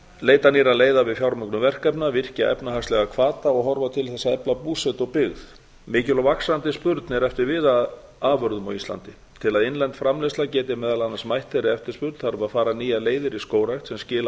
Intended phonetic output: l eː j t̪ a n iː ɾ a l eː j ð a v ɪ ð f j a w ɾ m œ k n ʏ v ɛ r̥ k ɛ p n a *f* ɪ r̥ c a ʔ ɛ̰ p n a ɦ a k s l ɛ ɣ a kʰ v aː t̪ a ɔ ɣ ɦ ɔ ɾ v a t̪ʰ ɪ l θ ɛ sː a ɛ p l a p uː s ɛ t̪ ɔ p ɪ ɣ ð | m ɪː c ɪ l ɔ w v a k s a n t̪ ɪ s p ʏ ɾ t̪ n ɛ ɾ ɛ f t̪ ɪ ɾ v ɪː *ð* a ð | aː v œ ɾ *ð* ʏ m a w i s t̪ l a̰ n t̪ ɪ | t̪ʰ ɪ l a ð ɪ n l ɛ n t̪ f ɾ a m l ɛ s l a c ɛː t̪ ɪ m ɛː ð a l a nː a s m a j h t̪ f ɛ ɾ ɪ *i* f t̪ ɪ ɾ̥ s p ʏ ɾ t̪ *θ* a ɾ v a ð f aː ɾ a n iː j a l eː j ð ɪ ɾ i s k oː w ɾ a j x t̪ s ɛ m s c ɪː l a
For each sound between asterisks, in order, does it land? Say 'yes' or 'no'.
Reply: no, yes, yes, no, yes

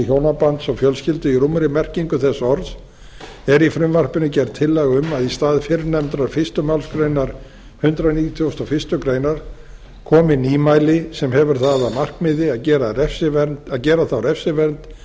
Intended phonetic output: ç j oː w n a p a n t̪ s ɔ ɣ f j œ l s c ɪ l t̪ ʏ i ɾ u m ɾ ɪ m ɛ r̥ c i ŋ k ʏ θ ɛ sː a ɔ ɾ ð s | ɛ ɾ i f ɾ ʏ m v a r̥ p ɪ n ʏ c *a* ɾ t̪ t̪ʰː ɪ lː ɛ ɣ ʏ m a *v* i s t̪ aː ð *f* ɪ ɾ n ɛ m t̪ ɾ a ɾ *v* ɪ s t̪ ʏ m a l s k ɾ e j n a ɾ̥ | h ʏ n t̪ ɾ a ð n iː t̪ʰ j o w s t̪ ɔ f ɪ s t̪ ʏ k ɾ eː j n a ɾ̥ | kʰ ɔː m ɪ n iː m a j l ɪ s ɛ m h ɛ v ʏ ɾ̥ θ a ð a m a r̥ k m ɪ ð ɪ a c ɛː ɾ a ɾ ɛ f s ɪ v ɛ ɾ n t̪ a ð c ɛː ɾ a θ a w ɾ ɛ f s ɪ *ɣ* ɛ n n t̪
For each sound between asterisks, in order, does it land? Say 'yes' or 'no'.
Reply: no, no, yes, no, no

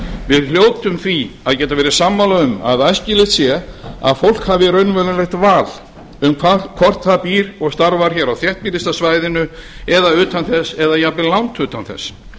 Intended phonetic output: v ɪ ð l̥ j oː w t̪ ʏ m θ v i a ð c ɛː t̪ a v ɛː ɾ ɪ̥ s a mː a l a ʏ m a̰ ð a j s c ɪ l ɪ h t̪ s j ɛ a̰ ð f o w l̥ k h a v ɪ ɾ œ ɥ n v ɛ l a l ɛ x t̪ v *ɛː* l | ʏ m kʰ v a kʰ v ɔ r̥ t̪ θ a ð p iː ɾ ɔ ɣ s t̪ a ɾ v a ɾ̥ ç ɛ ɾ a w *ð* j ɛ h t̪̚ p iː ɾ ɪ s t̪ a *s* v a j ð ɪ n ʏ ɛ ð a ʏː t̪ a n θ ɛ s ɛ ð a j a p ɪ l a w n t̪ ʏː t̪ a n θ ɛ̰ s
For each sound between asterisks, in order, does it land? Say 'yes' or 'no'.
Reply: no, no, yes

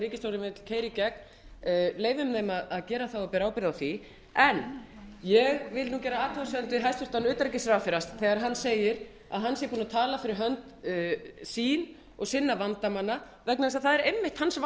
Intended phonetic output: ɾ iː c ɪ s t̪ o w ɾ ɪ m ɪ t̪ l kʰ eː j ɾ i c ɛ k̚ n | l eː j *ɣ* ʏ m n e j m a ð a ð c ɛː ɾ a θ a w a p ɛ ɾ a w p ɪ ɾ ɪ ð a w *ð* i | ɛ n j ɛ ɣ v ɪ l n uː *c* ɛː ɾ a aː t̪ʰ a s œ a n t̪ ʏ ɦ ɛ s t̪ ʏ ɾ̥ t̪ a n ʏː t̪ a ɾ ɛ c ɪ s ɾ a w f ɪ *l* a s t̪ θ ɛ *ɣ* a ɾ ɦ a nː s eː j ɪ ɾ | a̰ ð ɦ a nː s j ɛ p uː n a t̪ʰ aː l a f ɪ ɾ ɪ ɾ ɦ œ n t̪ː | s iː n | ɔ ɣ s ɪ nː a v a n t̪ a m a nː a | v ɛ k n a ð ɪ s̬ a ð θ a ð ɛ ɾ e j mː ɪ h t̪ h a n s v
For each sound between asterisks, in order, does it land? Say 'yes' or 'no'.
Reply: no, no, yes, no, yes

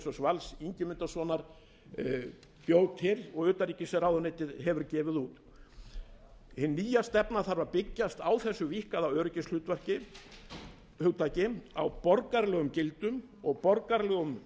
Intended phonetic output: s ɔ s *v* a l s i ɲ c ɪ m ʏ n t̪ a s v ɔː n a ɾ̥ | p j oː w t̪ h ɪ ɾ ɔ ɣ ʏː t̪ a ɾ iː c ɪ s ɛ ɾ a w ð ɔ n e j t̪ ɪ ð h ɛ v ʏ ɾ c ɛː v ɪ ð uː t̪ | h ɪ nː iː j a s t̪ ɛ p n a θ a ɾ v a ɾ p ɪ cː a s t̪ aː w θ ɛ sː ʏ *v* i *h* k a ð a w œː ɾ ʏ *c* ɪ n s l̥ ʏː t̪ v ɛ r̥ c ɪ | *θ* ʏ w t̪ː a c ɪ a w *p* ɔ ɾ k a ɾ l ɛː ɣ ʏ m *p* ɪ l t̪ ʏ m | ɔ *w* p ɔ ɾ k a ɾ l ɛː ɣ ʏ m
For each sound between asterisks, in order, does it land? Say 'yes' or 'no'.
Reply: yes, yes, yes, yes, no, yes, no, no

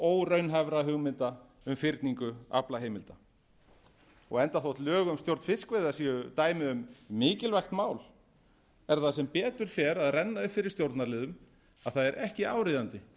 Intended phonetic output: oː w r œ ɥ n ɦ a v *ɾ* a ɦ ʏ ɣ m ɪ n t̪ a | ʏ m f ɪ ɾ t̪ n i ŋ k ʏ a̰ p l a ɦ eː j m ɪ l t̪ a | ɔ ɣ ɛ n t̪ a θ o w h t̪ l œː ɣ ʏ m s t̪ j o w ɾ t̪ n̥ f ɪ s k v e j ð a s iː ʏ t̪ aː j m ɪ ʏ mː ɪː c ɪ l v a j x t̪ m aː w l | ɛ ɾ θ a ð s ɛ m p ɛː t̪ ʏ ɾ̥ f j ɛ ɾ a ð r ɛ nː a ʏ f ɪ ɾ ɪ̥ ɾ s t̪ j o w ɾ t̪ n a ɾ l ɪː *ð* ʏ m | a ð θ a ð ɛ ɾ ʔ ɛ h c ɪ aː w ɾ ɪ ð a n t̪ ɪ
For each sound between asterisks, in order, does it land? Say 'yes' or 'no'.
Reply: yes, yes

